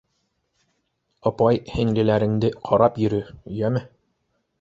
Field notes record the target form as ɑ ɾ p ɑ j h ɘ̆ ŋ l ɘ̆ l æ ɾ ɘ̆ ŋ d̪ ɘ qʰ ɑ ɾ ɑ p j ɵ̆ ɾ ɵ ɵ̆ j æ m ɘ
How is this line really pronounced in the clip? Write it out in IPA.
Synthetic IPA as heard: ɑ p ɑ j h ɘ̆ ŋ l ɘ̆ l æ ɾ ɘ̆ ŋ d̪ ɘ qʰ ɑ ɾ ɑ p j ɵ̆ ɾ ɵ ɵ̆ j æ m ɘ